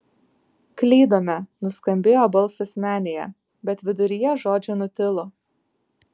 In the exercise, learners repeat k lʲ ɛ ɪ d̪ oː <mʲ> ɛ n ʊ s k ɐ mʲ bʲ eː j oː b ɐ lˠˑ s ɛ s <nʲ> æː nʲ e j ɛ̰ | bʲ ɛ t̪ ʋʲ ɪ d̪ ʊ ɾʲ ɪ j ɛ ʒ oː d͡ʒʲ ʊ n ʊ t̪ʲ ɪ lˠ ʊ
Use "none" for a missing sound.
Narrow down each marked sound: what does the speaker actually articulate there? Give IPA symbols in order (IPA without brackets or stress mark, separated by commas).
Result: mʲ, mʲ